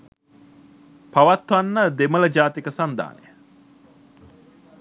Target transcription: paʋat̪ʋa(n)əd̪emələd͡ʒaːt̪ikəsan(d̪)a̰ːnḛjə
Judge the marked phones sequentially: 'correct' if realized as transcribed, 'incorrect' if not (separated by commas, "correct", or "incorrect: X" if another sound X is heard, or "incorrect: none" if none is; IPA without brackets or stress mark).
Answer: incorrect: nː, correct